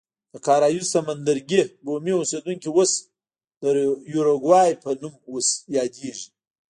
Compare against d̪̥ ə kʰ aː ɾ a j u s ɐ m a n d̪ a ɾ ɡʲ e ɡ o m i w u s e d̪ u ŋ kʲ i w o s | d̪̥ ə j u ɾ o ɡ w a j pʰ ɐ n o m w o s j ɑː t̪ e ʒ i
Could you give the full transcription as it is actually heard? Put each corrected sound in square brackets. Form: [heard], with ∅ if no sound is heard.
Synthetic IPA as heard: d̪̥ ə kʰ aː ɾ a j u s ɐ m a n d̪ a ɾ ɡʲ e ɡ o m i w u s e d̪ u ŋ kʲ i w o s | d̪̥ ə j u ɾ o ɡ w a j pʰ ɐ n [u] m w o s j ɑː [d̪] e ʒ i